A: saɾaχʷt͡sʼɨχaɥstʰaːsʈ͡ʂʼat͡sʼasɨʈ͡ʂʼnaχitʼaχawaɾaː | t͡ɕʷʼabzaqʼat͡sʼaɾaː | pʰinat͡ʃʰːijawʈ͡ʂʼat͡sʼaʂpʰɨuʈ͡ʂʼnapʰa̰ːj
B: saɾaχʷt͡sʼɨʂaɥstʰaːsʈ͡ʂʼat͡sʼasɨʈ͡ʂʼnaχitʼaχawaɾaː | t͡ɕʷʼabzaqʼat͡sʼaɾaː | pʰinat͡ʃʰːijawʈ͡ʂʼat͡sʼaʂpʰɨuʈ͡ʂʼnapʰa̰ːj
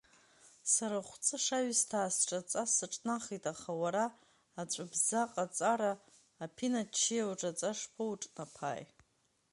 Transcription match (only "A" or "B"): B